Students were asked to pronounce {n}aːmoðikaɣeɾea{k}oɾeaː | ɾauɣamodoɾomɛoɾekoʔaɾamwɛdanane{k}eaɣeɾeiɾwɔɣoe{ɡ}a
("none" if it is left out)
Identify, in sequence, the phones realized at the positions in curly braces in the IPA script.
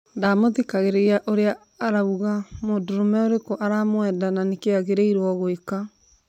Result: d, ʔ, k, k

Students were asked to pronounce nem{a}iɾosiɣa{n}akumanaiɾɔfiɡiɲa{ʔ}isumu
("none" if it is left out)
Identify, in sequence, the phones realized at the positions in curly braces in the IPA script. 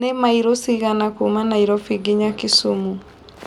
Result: a, n, k

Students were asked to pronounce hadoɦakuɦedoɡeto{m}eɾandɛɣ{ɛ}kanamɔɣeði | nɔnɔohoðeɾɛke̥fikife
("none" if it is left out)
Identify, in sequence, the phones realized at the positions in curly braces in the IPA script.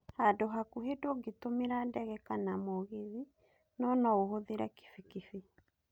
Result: m, ɛ

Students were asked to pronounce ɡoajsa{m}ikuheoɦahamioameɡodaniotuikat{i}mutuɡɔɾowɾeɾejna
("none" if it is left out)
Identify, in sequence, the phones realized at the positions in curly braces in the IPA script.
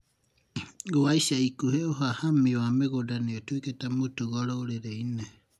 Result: none, a

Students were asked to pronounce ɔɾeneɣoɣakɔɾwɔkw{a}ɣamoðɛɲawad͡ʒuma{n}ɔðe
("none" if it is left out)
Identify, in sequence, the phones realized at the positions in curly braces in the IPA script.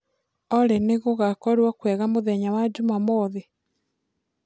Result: ɛ, m

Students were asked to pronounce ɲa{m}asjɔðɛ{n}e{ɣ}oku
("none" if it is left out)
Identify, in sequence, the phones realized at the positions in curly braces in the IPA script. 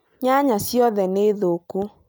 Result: ɲ, n, ð

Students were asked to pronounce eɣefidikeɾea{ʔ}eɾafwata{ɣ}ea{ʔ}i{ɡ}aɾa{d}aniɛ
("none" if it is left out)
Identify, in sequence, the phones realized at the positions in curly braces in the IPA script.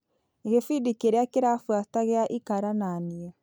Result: k, ɣ, ʔ, k, n

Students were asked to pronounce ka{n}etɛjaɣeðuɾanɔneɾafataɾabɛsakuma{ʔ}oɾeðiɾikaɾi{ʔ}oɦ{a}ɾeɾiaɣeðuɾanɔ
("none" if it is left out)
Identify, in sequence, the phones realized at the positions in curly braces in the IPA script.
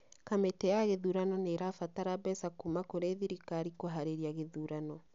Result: m, k, k, a

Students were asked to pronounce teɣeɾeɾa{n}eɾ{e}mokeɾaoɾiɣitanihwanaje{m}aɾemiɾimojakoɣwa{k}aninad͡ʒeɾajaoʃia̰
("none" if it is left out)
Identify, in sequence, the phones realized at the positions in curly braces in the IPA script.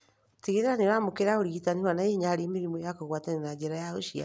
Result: n, a, ɲ, t

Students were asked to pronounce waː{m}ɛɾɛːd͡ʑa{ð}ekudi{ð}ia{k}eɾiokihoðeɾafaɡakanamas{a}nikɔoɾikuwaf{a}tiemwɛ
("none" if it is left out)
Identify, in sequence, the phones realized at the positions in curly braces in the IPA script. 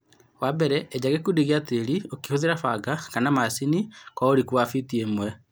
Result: b, ɣ, ɣ, t, i, i

